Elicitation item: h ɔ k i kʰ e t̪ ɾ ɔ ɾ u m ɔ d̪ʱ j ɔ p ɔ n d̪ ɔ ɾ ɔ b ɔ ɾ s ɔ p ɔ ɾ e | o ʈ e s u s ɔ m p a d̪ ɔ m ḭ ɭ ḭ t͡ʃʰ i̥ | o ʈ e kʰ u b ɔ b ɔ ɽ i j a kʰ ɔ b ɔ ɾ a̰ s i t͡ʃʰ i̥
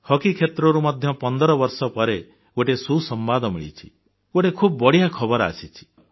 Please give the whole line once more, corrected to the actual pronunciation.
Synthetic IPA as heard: h ɔ k i kʰ e t̪ ɾ ɔ ɾ u m ɔ d̪ʱ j ɔ p ɔ n d̪ ɔ ɾ ɔ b ɔ ɾ s ɔ p ɔ ɾ e | o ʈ e s u s ɔ m b a d̪ ɔ m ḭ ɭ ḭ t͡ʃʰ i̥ | o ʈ e kʰ u b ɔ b ɔ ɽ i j a kʰ ɔ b ɔ ɾ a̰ s i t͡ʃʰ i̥